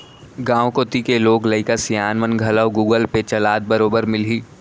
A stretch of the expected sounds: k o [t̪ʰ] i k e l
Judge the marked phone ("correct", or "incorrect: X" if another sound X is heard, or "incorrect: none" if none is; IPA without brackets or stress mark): incorrect: t̪